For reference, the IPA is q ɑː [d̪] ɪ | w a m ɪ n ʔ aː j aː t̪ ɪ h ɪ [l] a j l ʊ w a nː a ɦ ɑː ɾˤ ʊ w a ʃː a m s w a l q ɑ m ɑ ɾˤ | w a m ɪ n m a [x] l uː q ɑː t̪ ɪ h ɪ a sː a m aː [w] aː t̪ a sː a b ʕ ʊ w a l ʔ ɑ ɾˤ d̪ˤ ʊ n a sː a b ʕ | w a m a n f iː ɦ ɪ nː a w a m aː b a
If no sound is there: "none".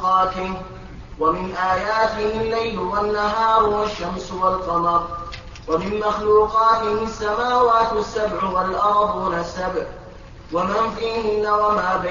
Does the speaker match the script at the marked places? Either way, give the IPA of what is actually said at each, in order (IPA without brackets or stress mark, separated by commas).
t̪, lː, x, w